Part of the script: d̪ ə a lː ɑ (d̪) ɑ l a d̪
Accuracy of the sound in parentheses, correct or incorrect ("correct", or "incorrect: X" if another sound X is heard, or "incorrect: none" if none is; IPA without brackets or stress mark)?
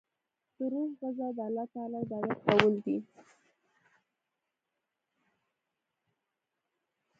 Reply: incorrect: t̪